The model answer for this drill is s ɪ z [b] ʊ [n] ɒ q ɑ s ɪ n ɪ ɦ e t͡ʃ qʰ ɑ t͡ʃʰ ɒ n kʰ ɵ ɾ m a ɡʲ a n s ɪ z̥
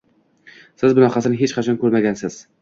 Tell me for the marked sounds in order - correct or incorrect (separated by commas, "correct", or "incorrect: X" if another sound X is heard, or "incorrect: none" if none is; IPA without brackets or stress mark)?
correct, correct